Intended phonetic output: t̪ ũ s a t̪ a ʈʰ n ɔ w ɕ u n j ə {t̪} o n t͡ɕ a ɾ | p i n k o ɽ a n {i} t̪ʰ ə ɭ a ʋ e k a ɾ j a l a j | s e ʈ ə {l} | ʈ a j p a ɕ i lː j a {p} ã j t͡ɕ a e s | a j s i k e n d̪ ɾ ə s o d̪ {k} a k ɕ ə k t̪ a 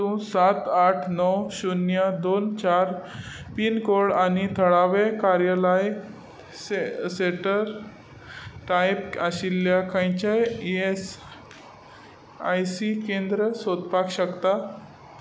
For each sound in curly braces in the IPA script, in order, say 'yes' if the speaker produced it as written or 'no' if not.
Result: no, yes, no, no, no

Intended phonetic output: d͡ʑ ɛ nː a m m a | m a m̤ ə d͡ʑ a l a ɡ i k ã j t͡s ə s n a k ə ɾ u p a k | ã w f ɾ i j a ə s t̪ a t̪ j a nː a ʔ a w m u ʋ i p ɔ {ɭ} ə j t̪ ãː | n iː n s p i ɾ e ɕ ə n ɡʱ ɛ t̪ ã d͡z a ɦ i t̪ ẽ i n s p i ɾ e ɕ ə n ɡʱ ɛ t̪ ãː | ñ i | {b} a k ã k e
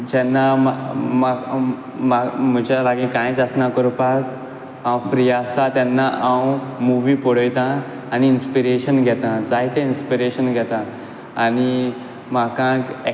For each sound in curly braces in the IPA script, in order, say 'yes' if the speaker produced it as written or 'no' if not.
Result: no, no

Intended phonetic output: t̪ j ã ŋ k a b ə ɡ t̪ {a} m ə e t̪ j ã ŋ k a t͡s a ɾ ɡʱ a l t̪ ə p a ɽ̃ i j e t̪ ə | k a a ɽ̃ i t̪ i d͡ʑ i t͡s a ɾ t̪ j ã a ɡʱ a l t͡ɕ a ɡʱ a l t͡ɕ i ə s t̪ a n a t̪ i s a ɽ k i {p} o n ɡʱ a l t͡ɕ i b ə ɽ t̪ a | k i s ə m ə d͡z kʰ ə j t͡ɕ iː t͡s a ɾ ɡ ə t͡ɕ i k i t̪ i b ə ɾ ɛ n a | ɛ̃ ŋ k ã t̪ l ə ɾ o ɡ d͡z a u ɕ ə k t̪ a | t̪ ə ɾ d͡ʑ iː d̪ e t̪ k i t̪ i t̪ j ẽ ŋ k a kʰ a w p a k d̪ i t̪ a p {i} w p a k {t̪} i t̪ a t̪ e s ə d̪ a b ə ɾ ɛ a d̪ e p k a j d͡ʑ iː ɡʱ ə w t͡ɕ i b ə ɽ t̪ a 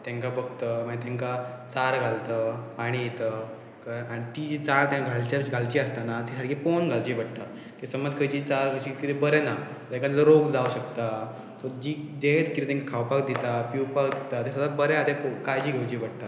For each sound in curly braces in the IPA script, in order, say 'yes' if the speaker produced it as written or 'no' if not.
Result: no, yes, yes, no

